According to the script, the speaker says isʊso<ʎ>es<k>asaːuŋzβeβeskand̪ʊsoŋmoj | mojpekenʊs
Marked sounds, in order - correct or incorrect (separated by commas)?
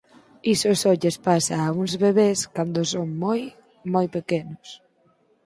correct, incorrect